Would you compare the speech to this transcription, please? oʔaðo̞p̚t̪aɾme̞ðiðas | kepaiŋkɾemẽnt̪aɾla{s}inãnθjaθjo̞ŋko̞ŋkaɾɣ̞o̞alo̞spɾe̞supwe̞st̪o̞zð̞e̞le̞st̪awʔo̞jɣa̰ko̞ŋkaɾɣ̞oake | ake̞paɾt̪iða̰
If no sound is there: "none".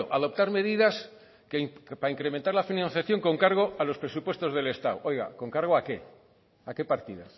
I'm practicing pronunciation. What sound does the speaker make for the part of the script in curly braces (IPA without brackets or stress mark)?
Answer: f